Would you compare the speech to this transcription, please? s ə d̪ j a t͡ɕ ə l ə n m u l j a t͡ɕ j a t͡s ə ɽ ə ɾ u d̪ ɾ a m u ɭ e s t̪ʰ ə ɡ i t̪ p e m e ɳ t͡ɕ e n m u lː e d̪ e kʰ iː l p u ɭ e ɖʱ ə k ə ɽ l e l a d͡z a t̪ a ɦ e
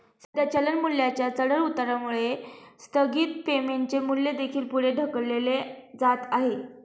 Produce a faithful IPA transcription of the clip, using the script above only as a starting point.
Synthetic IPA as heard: s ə d̪ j a t͡ɕ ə l ə n m u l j a t͡ɕ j a t͡s ə ɽ ə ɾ u t̪ ɾ a m u ɭ e s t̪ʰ ə ɡ iː t̪ p e m e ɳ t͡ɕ e m u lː e d̪ e kʰ iː l p u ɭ e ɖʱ ə k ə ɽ l e l e d͡z a t̪ a ɦ e